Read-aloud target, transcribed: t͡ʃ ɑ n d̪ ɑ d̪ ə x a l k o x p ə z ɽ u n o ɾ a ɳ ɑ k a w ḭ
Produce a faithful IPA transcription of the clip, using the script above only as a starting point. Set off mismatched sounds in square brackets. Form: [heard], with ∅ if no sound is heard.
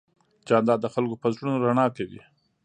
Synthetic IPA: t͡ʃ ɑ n d̪ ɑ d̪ ə x a l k o [∅] p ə z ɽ u n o ɾ a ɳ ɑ k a w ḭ